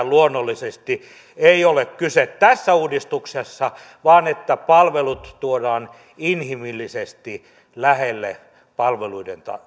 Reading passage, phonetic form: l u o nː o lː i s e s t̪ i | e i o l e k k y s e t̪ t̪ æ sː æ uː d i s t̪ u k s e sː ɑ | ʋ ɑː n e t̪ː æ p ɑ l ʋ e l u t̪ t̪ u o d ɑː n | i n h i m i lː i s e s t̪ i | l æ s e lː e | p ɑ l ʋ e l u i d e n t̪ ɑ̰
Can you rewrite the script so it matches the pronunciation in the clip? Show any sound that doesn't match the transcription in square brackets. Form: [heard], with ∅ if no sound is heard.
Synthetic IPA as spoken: l u o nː o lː i s e s t̪ i | e i o l e k k y s e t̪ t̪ æ sː æ uː d i s t̪ u k s e sː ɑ | ʋ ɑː n e t̪ː æ p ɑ l ʋ e l u t̪ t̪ u o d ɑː n | i n h i m i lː i s e s t̪ i | l æ [h] e lː e | p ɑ l ʋ e l u i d e n t̪ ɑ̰